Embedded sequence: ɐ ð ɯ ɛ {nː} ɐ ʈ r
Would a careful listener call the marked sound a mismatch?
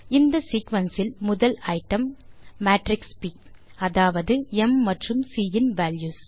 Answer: yes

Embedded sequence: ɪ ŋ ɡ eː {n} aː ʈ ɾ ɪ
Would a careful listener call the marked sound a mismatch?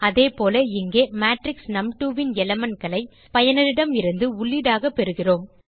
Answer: yes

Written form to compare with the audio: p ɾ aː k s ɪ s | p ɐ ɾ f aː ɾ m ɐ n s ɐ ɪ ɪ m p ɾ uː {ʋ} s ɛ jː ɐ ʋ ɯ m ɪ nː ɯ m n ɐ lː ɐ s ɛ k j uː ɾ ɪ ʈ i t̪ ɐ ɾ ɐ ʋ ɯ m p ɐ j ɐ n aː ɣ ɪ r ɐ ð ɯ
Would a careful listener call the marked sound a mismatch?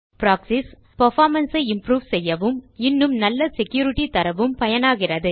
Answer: no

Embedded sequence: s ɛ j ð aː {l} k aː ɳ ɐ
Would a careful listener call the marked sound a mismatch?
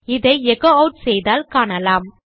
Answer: no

